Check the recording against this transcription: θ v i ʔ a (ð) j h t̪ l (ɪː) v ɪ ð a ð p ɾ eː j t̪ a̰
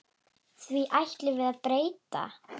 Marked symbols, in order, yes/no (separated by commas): no, no